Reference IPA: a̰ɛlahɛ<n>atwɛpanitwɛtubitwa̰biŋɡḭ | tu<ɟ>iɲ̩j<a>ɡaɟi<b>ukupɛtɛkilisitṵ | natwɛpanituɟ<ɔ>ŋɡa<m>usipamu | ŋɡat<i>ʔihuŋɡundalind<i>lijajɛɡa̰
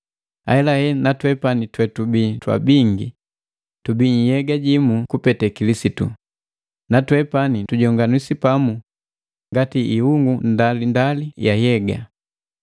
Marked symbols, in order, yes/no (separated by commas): yes, no, no, no, yes, no, yes, no